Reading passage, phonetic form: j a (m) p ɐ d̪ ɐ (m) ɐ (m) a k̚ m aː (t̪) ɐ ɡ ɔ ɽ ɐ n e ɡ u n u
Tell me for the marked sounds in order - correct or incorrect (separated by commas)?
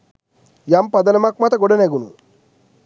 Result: correct, incorrect, correct, correct